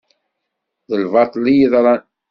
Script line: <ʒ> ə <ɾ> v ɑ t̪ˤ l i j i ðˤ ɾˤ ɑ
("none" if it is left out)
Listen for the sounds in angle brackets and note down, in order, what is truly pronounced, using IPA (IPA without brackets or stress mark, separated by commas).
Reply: ð, l